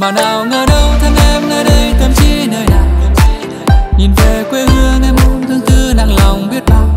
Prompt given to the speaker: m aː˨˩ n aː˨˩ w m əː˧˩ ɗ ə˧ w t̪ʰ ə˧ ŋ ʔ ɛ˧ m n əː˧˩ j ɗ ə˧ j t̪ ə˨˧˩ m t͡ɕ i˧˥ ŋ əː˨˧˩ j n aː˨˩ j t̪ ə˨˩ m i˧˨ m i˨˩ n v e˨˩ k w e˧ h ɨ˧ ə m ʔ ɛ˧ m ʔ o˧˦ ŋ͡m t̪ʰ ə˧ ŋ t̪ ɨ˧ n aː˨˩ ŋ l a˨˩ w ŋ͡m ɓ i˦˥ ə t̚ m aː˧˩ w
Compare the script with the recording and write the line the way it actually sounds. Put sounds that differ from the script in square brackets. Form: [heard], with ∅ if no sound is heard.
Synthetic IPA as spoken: m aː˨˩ n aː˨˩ w [ŋ] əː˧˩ ɗ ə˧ w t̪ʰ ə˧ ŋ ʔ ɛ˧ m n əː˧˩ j ɗ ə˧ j t̪ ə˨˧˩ m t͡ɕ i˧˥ [n] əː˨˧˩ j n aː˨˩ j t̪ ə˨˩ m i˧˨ [ɲ] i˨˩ n v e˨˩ k w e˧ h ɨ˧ ə [ŋ] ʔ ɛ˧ m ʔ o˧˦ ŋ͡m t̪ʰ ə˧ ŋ t̪ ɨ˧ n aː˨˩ ŋ l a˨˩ w ŋ͡m ɓ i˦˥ ə t̚ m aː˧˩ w